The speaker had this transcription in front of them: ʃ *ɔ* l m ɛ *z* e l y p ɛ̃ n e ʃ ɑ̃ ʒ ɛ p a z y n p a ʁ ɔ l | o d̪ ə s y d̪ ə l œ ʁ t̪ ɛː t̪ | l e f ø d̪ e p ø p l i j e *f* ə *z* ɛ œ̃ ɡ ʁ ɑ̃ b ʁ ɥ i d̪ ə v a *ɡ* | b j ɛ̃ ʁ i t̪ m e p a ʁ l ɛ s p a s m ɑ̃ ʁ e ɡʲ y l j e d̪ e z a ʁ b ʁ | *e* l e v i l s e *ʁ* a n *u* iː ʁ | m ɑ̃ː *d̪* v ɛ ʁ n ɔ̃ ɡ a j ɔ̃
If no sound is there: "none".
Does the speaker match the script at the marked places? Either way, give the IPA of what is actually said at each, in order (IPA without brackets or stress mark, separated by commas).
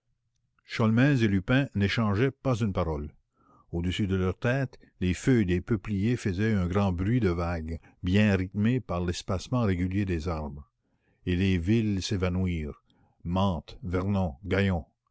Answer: ɔ, z, f, z, ɡ, e, v, w, t̪